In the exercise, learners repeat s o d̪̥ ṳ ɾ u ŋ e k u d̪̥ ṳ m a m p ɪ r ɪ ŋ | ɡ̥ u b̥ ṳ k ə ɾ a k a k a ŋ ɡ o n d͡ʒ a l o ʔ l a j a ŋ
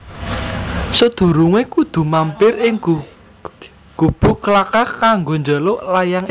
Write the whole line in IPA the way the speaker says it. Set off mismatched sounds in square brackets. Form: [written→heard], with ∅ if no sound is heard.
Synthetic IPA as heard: s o d̪̥ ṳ ɾ u ŋ e k u d̪̥ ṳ m a m p ɪ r ɪ ŋ | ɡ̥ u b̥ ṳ k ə [ɾ→l] a k a k a ŋ ɡ o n d͡ʒ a l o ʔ l a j a ŋ

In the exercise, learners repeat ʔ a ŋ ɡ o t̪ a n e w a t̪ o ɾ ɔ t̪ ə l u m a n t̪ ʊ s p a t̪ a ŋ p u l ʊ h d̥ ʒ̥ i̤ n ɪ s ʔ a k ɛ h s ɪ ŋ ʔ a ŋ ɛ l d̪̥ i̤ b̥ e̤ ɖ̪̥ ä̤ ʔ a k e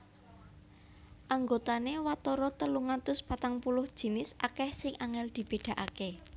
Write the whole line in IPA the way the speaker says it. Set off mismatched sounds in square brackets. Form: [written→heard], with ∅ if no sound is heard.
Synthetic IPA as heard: ʔ a ŋ ɡ o t̪ a n e w a t̪ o ɾ ɔ t̪ ə l u [m→ŋ] a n t̪ ʊ s p a t̪ a ŋ p u l ʊ h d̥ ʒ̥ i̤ n ɪ s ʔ a k ɛ h s ɪ ŋ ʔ a ŋ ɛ l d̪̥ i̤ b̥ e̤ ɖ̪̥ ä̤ ʔ a k e

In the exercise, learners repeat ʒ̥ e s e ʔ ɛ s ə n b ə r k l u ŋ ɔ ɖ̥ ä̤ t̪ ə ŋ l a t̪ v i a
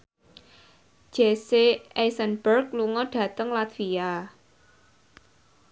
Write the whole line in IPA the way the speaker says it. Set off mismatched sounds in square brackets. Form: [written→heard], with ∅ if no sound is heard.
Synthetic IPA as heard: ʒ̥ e s e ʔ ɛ s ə n b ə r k l u ŋ ɔ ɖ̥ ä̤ t̪ ə ŋ l a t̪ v i a

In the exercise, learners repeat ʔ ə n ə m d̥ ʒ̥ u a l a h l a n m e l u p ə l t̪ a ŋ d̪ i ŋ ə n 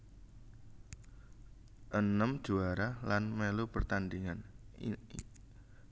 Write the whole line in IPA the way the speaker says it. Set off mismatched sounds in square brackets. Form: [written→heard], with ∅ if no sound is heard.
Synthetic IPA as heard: ʔ ə n ə m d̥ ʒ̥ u a [l→ɾ] a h l a n m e l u p ə [l→r] t̪ a [ŋ→n] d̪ i ŋ [ə→a] n

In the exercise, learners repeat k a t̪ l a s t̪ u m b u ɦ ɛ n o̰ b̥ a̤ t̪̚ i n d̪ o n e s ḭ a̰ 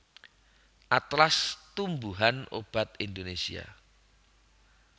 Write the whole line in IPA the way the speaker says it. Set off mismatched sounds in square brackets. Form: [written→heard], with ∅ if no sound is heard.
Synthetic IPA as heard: [k→ʔ] a t̪ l a s t̪ u m b u ɦ [ɛ→a] n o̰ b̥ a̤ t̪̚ i n d̪ o n e s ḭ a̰

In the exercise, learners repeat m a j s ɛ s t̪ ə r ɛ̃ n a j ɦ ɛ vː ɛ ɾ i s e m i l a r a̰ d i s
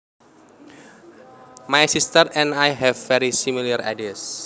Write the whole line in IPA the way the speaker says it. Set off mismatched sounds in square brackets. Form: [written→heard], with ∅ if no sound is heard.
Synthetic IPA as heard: m a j s [ɛ→i] s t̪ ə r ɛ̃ n a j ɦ ɛ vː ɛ ɾ i s [e→i] m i l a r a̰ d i s

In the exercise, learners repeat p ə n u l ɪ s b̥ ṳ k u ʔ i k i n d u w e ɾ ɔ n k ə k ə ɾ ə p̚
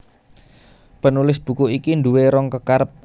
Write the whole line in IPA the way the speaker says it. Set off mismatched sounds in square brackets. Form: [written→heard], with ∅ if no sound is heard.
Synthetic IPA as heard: p ə n u l ɪ s b̥ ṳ k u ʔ i k i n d u w e ɾ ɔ [n→ŋ] k ə k [ə→a] ɾ ə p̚

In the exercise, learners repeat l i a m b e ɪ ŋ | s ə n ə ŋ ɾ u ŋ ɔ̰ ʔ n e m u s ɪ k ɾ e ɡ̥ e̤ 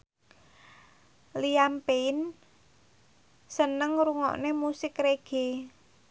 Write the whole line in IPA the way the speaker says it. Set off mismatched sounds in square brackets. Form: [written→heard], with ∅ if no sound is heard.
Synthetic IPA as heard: l i a m [b→p] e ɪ [ŋ→n] | s ə n ə ŋ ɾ u ŋ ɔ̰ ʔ n e m u s ɪ k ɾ e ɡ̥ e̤

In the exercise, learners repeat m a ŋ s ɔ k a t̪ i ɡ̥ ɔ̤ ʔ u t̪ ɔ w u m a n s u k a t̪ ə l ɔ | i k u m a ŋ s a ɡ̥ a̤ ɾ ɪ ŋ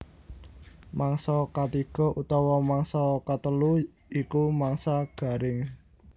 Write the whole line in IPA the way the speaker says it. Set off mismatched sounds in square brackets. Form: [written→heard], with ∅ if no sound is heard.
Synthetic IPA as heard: m a ŋ s ɔ k a t̪ i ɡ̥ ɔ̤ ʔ u t̪ ɔ w [u→ɔ] m a [n→ŋ] s [u→ɔ] k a t̪ ə l [ɔ→u] | i k u m a ŋ s a ɡ̥ a̤ ɾ ɪ ŋ

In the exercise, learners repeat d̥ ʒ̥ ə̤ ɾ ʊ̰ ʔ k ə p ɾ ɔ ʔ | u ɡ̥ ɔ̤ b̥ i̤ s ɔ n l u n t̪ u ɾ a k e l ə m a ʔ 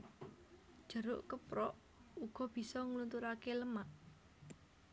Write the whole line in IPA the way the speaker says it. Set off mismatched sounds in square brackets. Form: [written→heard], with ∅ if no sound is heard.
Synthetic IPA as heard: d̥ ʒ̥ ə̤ ɾ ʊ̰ ʔ k ə p ɾ ɔ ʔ | u ɡ̥ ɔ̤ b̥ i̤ s ɔ [n→ŋ] l u n t̪ u ɾ a k e l ə m a ʔ

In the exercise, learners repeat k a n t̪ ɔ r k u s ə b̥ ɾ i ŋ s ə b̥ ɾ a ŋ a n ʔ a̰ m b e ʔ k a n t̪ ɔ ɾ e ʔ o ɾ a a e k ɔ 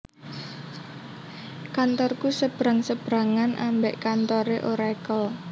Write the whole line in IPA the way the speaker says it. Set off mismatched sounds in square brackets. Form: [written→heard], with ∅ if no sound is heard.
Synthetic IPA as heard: k a n t̪ ɔ r k u s ə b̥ ɾ [i→a] ŋ s ə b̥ ɾ a ŋ a n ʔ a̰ m b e ʔ k a n t̪ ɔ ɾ e ʔ o ɾ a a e k ɔ

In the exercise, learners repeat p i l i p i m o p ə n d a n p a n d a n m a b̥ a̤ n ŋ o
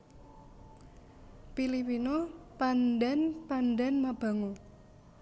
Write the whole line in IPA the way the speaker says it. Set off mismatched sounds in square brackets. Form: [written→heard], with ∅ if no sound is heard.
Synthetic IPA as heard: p i l i p i [m→n] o p [ə→a] n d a n p a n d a n m a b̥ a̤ [n→∅] ŋ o

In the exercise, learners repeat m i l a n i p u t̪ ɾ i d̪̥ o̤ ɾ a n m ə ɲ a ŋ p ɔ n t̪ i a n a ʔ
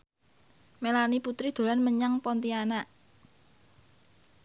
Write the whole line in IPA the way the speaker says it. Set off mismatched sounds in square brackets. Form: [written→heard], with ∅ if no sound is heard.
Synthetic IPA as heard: m [i→e] l a n i p u t̪ ɾ i d̪̥ o̤ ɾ a n m ə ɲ a ŋ p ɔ n t̪ i a n a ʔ

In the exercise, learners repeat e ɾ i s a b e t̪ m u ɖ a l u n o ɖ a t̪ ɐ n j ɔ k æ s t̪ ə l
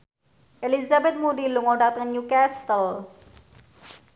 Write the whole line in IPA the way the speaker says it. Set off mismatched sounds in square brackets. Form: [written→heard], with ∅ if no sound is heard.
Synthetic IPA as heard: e [ɾ→l] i [s→z] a b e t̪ m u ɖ [a→i] l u [n→ŋ] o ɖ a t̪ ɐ n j [ɔ→u] k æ s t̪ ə l

